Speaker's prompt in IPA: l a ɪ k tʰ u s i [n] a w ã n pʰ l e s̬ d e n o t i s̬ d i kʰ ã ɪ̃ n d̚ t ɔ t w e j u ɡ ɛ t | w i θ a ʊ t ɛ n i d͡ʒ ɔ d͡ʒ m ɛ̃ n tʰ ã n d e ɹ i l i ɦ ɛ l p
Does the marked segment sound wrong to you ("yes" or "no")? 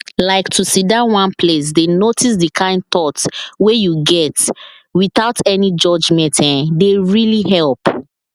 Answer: yes